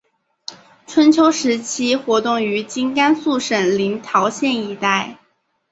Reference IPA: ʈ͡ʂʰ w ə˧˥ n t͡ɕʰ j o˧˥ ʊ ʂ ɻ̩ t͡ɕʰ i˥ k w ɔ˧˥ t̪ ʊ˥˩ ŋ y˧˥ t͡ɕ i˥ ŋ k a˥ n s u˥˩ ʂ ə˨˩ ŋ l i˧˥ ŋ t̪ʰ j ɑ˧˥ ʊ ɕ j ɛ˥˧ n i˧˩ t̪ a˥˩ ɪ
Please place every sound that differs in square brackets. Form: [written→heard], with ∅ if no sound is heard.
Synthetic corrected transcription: ʈ͡ʂʰ w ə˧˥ n t͡ɕʰ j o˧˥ ʊ ʂ ɻ̩ t͡ɕʰ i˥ [k→x] w ɔ˧˥ t̪ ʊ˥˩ ŋ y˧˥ t͡ɕ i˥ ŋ k a˥ n s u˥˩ ʂ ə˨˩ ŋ l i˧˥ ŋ t̪ʰ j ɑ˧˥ ʊ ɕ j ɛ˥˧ n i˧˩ t̪ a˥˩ ɪ